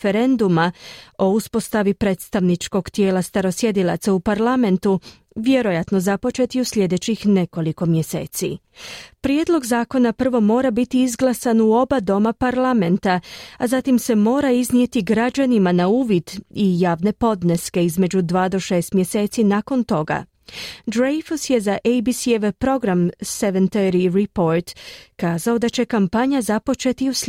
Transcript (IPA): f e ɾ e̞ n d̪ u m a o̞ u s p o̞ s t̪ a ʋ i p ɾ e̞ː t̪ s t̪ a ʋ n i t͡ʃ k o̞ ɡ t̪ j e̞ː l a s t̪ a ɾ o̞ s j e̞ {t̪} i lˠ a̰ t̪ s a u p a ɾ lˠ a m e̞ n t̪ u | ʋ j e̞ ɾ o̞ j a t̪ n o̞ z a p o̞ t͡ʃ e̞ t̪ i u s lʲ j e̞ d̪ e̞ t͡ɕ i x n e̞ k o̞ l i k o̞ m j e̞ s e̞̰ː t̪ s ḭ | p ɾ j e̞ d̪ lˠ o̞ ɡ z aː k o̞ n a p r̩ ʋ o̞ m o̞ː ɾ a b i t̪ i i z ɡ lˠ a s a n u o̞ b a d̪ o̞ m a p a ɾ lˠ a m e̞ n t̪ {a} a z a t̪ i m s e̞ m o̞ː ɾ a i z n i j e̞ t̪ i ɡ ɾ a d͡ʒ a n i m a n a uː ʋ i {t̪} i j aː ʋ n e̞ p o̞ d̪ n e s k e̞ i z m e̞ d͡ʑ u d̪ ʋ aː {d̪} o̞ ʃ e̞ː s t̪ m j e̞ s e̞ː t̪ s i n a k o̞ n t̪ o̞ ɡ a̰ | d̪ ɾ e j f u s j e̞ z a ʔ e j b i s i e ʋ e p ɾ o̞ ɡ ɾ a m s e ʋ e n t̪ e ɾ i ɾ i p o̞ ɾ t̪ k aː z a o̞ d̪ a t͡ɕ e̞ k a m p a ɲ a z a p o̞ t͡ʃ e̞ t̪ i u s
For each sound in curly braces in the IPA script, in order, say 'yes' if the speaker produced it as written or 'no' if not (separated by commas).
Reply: no, yes, no, yes